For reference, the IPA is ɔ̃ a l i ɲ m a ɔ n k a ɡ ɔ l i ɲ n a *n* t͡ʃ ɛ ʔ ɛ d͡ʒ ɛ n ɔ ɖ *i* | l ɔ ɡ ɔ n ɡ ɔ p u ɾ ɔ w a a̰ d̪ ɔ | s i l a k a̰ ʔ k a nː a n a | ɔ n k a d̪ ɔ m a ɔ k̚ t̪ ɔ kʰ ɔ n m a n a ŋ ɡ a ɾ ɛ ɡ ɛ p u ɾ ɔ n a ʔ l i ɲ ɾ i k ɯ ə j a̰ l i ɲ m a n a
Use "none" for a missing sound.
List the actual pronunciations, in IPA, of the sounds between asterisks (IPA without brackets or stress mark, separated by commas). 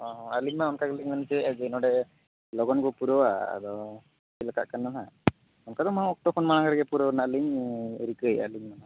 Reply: n, ɛ